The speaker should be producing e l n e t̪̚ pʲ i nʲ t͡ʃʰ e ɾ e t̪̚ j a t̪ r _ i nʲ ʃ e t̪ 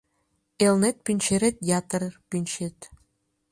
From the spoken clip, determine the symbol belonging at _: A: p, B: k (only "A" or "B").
A